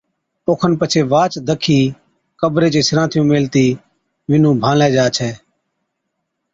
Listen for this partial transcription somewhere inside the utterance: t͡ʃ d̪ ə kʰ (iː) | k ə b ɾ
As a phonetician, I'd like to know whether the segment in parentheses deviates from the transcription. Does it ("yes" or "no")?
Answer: no